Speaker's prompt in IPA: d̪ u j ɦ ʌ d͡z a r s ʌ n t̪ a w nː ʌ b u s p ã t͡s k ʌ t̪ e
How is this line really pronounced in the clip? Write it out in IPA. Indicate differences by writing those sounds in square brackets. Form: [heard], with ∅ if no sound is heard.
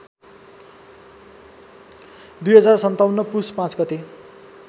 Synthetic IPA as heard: d̪ u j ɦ ʌ d͡z a r s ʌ n t̪ a w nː ʌ [p] u s p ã t͡s [ɡ] ʌ t̪ e